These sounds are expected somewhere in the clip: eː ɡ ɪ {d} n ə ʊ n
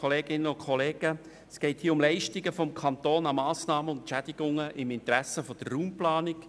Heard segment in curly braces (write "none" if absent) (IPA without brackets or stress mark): none